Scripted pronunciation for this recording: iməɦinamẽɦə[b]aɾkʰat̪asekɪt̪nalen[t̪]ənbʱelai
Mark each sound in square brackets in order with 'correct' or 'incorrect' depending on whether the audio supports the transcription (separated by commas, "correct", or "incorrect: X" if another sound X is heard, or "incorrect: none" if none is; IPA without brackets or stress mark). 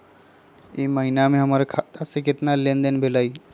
incorrect: m, incorrect: d̪